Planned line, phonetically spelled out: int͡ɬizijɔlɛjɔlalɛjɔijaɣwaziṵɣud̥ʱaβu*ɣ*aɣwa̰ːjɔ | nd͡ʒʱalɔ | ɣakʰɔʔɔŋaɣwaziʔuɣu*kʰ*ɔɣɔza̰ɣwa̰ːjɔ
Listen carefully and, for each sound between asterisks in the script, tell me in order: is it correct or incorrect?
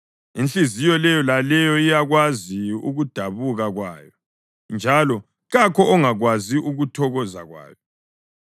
correct, incorrect: tʰ

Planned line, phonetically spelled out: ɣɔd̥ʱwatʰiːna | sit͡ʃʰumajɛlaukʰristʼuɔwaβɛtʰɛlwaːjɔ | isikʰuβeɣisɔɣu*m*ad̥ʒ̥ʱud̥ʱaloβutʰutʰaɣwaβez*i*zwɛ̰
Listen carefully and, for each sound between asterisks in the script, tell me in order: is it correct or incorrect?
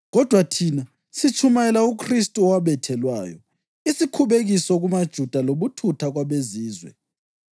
correct, incorrect: iː

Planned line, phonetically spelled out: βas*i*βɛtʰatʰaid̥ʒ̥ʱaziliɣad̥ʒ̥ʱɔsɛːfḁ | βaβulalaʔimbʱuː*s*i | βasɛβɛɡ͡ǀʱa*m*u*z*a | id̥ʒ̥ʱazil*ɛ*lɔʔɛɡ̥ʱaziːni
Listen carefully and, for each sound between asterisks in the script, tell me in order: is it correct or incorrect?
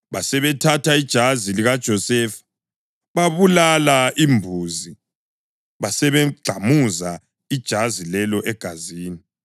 incorrect: ɛ, incorrect: z, correct, correct, correct

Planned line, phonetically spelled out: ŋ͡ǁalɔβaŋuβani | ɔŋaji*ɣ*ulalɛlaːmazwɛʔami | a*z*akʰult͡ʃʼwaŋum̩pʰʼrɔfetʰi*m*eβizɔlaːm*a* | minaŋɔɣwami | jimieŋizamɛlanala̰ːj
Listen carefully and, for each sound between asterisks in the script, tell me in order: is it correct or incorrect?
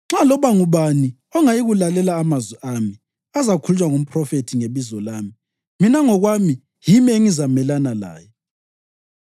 correct, correct, incorrect: ŋ, incorrect: i

